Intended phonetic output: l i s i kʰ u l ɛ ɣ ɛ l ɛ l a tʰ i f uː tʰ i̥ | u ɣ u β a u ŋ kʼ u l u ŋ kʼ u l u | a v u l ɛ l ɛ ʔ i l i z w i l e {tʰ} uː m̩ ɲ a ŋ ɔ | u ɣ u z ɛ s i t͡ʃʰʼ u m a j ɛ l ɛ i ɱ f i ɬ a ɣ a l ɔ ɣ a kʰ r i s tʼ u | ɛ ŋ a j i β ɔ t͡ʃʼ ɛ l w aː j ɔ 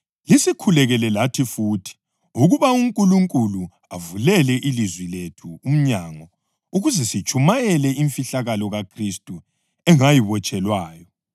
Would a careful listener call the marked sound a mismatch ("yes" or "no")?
no